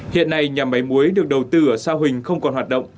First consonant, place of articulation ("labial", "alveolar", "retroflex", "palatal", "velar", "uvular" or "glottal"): glottal